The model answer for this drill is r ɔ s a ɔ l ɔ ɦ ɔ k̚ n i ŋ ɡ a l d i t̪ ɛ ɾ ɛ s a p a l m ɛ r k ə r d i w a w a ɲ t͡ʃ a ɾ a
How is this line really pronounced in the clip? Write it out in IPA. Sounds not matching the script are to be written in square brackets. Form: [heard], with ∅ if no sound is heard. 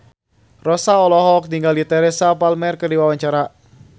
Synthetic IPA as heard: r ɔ s a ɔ l ɔ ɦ ɔ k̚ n i ŋ ɡ a l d i t̪ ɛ ɾ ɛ s a p a l m ɛ r k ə r d i w a w a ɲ t͡ʃ a ɾ a